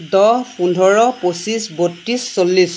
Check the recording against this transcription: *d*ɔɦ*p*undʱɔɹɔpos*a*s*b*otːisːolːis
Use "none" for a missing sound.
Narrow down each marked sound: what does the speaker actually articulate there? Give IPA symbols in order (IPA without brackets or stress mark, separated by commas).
d, p, i, b